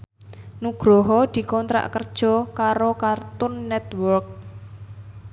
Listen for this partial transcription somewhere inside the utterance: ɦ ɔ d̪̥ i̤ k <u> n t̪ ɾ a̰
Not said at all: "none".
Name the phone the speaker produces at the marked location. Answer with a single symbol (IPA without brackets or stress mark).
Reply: ɔ